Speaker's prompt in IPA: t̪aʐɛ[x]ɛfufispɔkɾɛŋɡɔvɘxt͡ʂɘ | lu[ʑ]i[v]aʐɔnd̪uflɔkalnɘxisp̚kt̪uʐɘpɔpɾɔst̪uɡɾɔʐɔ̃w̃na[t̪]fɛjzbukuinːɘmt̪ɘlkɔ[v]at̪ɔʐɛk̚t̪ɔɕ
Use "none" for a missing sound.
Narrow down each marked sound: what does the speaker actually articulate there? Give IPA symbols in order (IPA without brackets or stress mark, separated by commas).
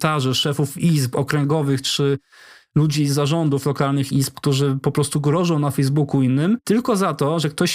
ʂ, d͡ʑ, z, none, z